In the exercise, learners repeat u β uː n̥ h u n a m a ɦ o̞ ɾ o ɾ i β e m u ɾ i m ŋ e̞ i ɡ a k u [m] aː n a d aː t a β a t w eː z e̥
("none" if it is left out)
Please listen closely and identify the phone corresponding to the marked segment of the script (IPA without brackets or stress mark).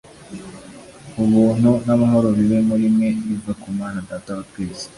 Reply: m